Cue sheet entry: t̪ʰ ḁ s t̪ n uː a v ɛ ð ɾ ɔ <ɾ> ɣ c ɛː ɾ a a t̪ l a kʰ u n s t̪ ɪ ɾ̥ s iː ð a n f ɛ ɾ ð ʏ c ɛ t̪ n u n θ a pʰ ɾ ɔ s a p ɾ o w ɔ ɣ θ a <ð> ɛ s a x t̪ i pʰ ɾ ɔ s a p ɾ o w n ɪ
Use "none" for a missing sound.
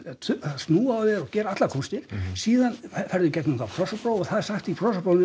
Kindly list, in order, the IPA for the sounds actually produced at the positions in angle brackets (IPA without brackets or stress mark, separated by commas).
none, ð